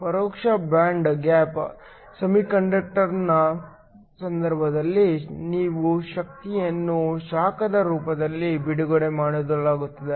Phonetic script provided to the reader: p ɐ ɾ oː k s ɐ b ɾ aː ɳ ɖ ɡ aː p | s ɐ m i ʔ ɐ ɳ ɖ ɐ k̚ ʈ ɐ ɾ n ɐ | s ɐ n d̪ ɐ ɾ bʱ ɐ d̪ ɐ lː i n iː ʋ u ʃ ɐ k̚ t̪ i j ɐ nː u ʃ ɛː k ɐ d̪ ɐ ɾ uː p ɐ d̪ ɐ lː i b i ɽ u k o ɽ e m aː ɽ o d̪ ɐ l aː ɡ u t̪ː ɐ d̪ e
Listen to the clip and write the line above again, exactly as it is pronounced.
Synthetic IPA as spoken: p ɐ ɾ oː k ʂ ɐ b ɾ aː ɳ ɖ ɡ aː p | s ɐ m i k ɐ ɳ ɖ ɐ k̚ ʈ ɐ ɾ n ɐ | s ɐ n d̪ ɐ ɾ bʱ ɐ d̪ ɐ lː i n iː ʋ u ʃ ɐ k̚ t̪ i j ɐ nː u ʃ aː k ɐ d̪ ɐ ɾ uː p ɐ d̪ ɐ lː i b i ɽ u ɡ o ɽ e m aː ɽ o d̪ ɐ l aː ɡ u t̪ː ɐ d̪ e